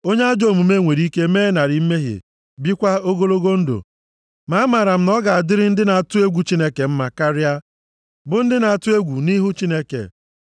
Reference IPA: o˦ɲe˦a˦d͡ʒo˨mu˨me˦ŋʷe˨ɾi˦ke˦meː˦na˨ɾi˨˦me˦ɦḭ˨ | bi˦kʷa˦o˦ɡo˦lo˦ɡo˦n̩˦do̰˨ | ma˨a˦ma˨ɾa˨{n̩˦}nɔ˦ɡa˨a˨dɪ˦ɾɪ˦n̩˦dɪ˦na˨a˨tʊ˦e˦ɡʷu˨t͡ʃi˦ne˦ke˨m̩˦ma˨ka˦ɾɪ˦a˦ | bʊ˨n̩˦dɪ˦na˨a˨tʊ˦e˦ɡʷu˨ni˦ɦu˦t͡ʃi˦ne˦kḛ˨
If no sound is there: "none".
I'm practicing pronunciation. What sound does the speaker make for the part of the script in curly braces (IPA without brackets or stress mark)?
m̩˦